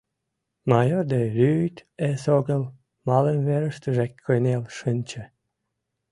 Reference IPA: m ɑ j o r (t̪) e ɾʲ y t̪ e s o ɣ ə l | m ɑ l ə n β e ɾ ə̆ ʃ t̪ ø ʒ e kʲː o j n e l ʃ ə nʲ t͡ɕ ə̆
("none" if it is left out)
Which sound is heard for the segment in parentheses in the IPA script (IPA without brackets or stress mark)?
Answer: d̪